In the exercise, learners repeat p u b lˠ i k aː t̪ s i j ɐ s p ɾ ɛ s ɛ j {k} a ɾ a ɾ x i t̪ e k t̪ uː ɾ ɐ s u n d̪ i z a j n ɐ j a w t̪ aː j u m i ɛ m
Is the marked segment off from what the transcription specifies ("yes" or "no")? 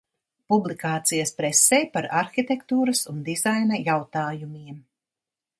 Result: yes